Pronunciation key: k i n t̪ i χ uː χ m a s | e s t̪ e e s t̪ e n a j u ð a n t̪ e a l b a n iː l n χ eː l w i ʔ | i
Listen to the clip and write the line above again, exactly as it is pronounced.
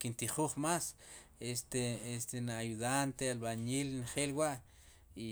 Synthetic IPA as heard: k i n t̪ i χ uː χ m a s | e s t̪ e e s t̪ e n a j u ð a n t̪ e a l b a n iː l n χ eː l w a ʔ | i